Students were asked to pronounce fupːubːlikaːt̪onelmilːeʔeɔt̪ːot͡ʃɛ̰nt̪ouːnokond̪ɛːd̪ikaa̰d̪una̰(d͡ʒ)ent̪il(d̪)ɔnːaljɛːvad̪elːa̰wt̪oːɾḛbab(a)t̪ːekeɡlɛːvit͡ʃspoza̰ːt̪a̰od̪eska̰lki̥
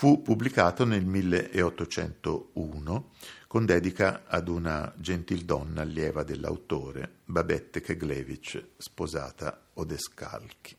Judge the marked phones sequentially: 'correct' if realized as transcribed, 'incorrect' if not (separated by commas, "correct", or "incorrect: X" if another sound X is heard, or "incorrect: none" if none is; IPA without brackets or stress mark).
correct, correct, incorrect: ɛ